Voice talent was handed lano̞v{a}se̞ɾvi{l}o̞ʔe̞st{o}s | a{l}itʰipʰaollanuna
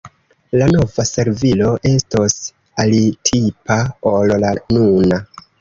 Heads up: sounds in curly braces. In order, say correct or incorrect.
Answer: correct, correct, correct, correct

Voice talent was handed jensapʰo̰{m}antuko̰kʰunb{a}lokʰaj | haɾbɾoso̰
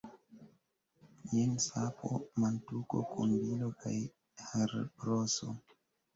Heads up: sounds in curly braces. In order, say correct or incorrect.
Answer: correct, incorrect

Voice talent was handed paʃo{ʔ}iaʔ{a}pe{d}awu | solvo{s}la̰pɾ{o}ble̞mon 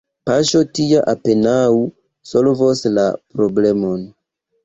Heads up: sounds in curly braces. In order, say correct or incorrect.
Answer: incorrect, correct, incorrect, correct, correct

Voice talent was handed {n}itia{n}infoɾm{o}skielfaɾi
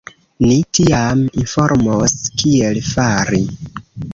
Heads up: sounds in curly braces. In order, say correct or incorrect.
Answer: correct, incorrect, correct

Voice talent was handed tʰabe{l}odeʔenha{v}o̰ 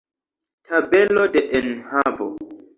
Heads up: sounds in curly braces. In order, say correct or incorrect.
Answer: correct, correct

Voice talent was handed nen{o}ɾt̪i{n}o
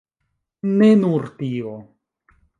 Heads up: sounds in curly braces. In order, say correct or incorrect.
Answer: incorrect, incorrect

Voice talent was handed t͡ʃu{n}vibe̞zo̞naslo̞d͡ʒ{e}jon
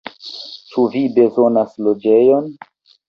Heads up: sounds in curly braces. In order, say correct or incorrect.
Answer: incorrect, correct

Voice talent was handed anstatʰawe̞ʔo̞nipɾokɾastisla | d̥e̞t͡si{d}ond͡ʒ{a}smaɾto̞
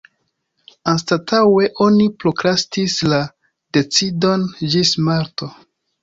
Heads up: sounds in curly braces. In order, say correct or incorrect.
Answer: correct, incorrect

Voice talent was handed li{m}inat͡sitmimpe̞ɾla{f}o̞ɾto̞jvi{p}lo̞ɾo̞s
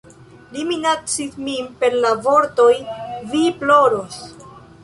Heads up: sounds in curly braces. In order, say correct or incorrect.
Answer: correct, incorrect, correct

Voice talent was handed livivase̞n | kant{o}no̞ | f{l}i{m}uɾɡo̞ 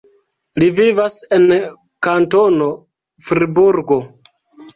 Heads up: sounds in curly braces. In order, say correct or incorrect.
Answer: correct, incorrect, incorrect

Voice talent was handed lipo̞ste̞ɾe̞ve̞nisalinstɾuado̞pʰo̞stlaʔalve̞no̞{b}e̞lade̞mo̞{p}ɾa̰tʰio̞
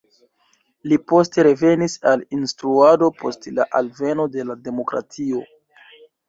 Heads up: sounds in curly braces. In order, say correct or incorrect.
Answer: incorrect, incorrect

